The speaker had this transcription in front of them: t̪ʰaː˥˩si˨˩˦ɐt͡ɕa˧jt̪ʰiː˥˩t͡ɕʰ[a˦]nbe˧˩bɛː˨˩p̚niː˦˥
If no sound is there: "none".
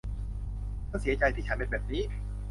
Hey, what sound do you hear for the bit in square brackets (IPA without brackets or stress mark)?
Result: a˦